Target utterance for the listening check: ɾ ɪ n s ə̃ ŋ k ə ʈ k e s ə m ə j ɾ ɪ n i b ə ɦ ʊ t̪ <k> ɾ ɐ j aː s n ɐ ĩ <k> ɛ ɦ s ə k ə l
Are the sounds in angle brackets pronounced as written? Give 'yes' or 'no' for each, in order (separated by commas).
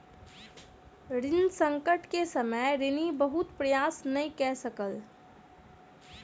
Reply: no, yes